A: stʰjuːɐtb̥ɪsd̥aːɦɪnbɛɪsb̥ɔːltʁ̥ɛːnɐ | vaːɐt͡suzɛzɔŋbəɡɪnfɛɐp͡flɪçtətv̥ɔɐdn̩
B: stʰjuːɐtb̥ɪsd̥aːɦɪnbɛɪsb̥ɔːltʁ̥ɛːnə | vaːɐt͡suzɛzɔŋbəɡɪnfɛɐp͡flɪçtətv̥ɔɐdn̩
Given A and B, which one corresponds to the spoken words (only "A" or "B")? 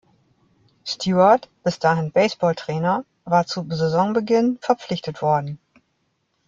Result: A